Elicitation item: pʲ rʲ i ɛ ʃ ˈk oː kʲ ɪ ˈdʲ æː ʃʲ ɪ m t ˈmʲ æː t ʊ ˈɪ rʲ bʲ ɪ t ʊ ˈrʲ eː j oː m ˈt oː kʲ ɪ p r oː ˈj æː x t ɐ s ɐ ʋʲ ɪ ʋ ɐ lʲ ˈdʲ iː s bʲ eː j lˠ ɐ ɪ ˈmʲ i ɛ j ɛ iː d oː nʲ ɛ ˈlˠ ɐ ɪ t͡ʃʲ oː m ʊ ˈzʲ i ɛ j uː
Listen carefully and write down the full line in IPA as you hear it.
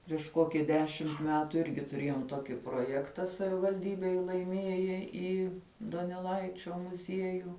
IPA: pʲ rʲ i ɛ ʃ ˈk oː kʲ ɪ ˈdʲ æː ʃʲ ɪ m t ˈmʲ æː t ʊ ˈɪ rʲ ɡʲ ɪ t ʊ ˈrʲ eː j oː m ˈt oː kʲ ɪ p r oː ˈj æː k t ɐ s ɐ ʋʲ ɪ ʋ ɐ lʲ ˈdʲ iː bʲ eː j lˠ ɐ ɪ ˈmʲ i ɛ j ɛ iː d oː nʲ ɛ ˈlˠ ɐ ɪ t͡ʃʲ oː m ʊ ˈzʲ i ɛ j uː